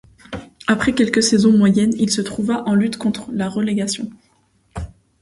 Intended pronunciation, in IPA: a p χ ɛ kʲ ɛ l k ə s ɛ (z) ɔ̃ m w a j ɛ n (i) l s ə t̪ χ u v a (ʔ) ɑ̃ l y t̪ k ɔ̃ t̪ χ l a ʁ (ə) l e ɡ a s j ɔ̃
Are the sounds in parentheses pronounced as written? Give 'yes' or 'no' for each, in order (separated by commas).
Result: yes, yes, yes, yes